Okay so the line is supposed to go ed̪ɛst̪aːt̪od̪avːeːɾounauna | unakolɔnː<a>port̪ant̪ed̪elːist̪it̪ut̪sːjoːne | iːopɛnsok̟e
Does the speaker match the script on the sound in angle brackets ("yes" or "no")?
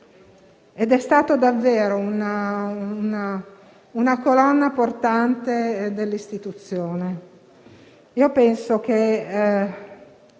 yes